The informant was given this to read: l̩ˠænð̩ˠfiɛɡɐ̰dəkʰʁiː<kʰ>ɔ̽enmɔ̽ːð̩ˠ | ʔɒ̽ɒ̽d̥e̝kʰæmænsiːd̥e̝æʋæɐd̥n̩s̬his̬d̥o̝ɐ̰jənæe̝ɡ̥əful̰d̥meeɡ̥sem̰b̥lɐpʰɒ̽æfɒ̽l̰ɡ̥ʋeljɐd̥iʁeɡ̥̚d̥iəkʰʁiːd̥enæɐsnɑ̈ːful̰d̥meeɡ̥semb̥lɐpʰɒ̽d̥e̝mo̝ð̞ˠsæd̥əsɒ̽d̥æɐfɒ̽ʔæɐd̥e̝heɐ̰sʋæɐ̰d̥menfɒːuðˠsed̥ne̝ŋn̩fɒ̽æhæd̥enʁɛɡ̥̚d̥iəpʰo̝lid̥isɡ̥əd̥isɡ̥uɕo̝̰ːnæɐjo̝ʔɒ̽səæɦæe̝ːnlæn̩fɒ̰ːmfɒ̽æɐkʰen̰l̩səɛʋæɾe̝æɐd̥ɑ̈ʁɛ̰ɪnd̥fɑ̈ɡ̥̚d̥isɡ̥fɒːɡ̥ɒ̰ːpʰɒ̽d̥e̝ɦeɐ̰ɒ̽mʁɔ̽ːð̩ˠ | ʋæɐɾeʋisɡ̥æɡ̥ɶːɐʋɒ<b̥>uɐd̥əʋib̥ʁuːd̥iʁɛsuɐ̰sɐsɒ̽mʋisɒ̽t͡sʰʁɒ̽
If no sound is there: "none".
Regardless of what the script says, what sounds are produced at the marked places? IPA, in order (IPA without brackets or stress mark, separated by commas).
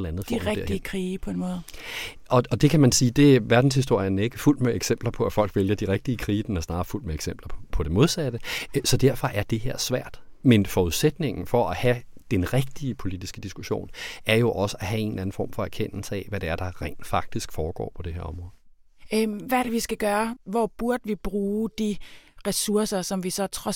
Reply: pʰ, b̥